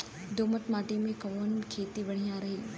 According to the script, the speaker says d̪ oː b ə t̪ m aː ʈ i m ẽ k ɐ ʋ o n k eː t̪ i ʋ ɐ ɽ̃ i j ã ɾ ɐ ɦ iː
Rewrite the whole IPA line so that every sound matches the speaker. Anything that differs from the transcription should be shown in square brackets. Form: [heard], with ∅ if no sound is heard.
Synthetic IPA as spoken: d̪ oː [m] ə t̪ m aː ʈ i m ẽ k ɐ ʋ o n [kʰ] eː t̪ i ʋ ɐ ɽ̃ i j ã ɾ ɐ ɦ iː